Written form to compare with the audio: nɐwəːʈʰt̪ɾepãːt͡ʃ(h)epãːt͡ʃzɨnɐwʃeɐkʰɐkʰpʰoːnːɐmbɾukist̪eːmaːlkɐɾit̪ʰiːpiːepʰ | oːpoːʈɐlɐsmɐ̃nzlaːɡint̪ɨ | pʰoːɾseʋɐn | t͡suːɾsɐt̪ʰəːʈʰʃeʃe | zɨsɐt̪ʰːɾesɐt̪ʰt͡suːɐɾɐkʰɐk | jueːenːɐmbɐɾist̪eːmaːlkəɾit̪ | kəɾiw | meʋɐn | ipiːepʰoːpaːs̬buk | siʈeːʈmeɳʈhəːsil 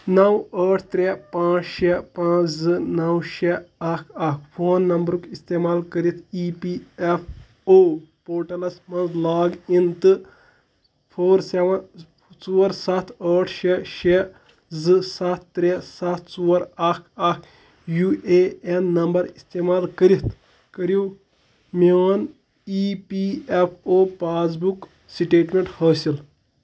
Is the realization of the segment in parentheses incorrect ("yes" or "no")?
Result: yes